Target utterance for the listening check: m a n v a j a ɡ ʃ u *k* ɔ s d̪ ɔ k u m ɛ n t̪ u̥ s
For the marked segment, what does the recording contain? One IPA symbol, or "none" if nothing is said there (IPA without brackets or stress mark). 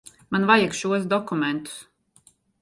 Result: none